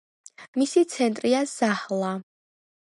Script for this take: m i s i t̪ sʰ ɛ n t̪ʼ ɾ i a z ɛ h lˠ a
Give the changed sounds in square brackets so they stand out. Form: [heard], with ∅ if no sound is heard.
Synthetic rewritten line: m i s i t̪ sʰ ɛ n t̪ʼ ɾ i a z [a] h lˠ a